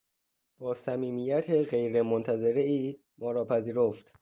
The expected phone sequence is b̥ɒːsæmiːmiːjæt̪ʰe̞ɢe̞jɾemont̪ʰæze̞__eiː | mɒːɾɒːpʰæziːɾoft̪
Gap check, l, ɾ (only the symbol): ɾ